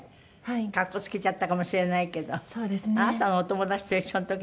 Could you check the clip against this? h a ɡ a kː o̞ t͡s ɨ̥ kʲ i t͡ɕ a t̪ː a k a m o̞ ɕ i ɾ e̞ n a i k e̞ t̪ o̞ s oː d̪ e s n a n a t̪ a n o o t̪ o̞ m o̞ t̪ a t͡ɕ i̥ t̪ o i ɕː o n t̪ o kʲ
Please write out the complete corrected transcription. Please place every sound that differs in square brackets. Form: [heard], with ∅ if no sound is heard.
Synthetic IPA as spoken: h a [k] a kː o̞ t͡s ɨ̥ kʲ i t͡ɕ a t̪ː a k a m o̞ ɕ i ɾ e̞ n a i k e̞ [d̪] o̞ s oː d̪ e s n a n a t̪ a n o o t̪ o̞ m o̞ [d̪] a t͡ɕ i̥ t̪ o i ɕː o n t̪ o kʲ